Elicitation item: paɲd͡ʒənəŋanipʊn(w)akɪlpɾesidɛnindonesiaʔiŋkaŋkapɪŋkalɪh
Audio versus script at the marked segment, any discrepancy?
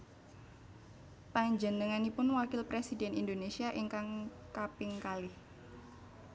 no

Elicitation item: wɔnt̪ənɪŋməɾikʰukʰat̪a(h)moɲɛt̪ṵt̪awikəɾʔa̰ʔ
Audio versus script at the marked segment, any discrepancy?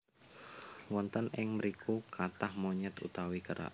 no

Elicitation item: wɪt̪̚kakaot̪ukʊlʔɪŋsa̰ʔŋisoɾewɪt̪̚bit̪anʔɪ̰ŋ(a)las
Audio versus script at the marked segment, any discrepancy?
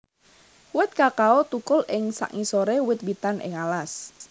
no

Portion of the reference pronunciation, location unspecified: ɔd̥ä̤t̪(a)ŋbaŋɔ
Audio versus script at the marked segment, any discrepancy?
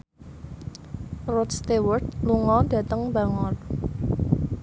yes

